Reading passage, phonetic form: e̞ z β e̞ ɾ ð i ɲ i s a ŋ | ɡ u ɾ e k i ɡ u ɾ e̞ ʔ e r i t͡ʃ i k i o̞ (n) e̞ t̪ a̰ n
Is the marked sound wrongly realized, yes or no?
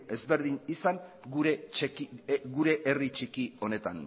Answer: no